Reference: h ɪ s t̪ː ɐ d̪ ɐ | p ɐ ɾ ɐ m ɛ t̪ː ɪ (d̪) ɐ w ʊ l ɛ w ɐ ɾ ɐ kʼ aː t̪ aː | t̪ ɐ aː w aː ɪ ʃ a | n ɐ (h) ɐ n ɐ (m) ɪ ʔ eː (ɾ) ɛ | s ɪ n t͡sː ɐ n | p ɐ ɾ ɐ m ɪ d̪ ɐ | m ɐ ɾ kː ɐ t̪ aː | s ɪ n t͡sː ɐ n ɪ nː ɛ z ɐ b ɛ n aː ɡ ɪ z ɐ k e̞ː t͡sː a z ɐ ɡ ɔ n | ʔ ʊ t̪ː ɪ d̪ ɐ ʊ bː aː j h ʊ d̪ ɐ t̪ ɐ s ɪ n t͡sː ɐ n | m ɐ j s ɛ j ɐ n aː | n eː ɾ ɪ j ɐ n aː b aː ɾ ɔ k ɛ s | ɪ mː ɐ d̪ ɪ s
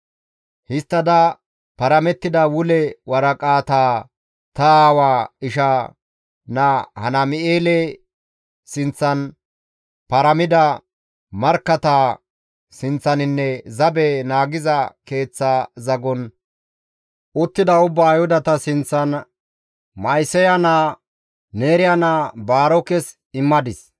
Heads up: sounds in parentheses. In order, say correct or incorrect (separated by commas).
correct, correct, correct, incorrect